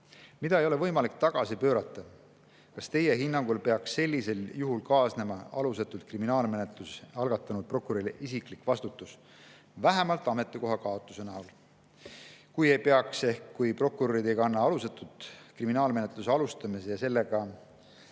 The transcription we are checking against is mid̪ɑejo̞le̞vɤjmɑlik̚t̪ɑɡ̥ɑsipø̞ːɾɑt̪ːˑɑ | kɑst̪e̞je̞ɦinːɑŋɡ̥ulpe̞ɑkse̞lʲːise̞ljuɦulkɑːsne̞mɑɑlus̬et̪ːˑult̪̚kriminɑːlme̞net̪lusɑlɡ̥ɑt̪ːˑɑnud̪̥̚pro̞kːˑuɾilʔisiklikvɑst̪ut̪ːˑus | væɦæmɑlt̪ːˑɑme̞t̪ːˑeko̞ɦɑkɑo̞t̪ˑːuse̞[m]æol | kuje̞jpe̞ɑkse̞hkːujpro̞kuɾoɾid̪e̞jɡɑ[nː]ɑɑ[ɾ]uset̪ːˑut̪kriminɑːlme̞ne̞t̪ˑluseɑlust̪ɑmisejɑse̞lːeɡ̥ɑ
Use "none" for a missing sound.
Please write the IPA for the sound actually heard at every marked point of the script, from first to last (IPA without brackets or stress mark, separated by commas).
n, nː, l